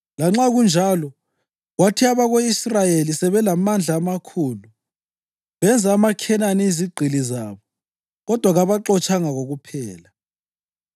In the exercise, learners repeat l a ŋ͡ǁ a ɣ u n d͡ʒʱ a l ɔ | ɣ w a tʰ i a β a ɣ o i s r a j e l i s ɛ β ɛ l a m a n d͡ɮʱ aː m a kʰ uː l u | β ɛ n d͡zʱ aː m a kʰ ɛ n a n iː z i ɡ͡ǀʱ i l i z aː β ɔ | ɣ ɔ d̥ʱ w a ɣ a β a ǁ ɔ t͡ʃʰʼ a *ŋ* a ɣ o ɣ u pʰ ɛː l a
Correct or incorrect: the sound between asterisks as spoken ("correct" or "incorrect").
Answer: correct